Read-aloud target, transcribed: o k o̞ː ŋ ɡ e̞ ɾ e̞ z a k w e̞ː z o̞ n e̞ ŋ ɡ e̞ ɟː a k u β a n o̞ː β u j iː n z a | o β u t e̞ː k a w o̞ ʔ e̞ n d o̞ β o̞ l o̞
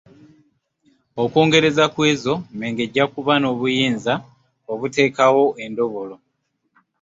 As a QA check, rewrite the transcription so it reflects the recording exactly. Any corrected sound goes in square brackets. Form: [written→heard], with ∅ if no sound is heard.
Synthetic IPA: o k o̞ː ŋ ɡ e̞ ɾ e̞ z a k w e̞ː z o̞ [n→m] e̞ ŋ ɡ e̞ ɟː a k u β a n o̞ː β u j iː n z a | o β u t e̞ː k a w o̞ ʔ e̞ n d o̞ β o̞ l o̞